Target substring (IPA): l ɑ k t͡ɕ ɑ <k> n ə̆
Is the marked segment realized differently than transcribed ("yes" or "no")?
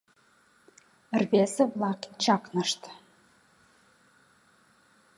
no